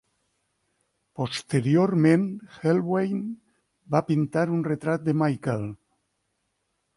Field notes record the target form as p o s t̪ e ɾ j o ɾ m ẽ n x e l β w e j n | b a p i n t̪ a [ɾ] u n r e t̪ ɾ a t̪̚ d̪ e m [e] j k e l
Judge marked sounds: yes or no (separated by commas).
yes, no